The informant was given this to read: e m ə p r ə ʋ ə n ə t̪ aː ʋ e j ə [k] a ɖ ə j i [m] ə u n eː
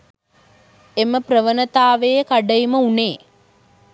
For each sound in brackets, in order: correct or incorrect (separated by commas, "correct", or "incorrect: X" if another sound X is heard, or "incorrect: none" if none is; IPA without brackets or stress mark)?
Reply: correct, correct